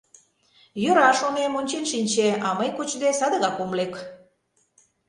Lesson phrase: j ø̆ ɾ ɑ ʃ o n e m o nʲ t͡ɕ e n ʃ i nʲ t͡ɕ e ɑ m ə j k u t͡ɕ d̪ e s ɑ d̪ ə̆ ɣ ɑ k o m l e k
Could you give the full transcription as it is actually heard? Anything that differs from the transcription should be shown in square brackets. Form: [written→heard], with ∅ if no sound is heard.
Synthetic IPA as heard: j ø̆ ɾ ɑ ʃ o n e m o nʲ t͡ɕ e n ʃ i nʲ t͡ɕ e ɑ m ə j k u t͡ɕ d̪ e s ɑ d̪ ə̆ ɣ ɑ k o m l e k